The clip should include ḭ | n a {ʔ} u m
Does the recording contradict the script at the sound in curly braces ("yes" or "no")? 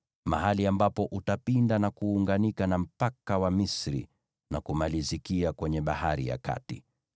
yes